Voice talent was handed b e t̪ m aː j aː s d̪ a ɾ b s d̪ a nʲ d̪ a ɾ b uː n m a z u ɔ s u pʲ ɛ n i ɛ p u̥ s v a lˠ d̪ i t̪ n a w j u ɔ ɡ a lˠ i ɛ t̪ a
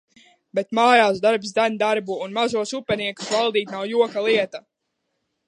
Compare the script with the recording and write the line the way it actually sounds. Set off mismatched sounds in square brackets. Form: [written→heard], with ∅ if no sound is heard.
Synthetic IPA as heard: b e t̪ m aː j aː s d̪ a ɾ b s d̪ a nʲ d̪ a ɾ b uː n m a z u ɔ s u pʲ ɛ n i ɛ [p→k] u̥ s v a lˠ d̪ [i→iː] t̪ n a w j u ɔ [ɡ→k] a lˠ i ɛ t̪ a